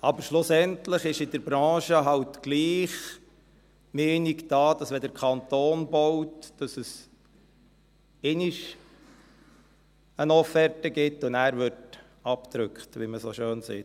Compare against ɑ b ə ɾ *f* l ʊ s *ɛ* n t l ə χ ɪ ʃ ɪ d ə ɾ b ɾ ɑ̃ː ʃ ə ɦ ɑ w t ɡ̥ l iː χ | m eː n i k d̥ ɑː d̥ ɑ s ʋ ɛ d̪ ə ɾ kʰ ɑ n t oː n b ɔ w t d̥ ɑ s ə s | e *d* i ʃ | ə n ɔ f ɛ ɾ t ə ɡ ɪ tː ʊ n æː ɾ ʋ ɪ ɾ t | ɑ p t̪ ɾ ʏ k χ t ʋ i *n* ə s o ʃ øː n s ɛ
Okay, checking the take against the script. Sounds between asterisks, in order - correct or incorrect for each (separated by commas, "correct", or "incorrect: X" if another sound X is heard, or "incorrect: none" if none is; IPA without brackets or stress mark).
incorrect: ʃ, correct, incorrect: n, incorrect: m